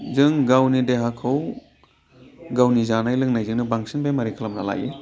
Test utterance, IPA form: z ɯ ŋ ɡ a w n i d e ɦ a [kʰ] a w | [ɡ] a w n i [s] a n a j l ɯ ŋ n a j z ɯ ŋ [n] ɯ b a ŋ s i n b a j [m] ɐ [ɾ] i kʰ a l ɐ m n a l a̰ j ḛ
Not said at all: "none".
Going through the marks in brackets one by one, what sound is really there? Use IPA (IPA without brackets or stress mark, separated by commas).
kʰ, ɡ, z, n, m, ɾ